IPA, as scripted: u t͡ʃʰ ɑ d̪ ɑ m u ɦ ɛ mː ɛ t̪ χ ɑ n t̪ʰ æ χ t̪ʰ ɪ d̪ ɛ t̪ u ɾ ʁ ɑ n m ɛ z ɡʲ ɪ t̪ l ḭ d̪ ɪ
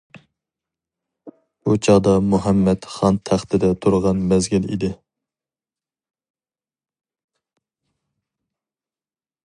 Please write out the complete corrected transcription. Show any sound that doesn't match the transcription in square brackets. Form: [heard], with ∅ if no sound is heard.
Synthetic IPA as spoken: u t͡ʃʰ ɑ d̪ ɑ m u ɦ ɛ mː ɛ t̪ χ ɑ n t̪ʰ æ χ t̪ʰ ɪ d̪ ɛ [t̪ʰ] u ɾ ʁ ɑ n m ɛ z ɡʲ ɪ [∅] l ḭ d̪ ɪ